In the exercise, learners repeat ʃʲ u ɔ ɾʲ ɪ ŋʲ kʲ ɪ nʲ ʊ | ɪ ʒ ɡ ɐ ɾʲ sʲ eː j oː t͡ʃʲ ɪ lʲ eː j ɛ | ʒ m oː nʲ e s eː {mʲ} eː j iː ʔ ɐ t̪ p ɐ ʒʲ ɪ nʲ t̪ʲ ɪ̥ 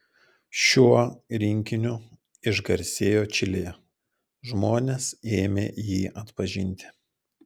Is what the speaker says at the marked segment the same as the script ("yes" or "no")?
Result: yes